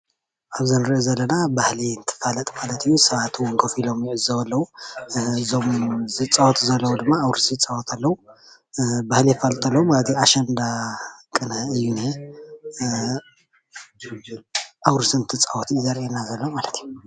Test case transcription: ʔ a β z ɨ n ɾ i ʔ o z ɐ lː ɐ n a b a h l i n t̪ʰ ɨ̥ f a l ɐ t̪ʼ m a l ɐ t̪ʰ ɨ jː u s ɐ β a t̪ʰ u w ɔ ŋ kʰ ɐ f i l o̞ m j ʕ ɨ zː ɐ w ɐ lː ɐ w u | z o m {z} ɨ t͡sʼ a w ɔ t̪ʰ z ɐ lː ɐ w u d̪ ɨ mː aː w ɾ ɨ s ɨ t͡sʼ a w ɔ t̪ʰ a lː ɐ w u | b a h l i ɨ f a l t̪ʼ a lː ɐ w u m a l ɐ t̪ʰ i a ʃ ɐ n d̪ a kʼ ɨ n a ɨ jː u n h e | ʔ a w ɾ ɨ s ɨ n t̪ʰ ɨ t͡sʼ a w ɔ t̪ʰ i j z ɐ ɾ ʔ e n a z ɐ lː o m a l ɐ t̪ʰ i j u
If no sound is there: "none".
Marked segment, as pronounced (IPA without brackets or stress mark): z